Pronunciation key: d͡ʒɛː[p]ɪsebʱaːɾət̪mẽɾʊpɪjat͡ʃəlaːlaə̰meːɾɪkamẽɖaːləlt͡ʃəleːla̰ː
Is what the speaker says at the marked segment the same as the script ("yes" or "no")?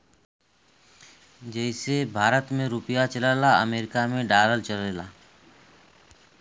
no